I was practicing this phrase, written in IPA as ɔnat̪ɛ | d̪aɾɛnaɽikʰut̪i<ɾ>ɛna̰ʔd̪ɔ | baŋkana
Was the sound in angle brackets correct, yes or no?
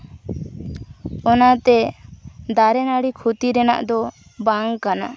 yes